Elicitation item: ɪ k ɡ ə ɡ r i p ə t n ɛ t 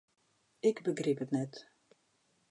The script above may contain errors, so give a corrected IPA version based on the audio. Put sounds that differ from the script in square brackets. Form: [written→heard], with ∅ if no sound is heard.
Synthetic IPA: ɪ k [ɡ→b] ə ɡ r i p ə t n ɛ t